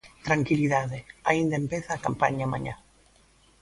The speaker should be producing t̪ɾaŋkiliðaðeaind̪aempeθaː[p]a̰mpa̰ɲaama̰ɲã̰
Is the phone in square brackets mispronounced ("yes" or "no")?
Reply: yes